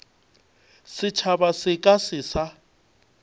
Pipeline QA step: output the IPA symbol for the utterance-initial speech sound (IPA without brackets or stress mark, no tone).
s